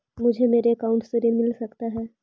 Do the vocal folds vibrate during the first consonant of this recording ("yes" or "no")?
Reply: yes